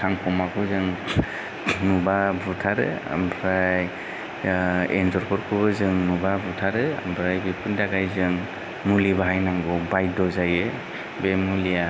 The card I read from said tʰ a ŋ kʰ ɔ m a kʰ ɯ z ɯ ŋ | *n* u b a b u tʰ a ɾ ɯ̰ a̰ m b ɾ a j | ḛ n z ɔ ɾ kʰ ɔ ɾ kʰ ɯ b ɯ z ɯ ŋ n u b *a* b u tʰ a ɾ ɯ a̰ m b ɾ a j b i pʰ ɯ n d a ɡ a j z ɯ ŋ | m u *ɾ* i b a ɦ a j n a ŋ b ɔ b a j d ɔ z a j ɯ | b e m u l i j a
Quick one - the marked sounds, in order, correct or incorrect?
correct, correct, incorrect

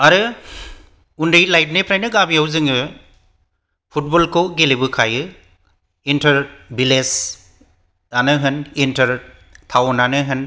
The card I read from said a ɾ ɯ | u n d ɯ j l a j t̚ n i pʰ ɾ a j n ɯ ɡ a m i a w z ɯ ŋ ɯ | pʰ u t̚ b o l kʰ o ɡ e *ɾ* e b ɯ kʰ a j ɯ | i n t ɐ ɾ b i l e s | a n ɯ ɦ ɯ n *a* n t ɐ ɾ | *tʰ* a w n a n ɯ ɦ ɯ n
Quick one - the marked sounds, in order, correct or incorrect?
incorrect, incorrect, correct

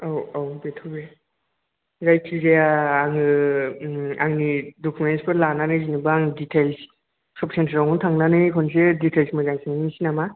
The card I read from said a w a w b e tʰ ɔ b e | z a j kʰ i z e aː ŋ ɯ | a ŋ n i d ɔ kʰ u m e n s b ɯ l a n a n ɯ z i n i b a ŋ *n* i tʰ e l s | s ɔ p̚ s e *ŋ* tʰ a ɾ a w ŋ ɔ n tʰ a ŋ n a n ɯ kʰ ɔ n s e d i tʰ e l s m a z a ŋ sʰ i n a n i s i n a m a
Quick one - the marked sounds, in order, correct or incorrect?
incorrect, incorrect

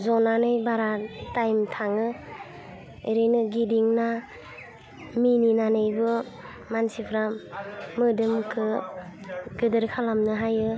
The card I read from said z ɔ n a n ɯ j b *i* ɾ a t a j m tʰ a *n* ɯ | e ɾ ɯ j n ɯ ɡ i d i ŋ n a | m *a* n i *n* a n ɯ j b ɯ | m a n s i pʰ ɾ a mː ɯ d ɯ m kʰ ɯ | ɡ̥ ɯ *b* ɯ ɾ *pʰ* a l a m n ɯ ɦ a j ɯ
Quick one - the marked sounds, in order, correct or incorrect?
incorrect, incorrect, incorrect, correct, incorrect, incorrect

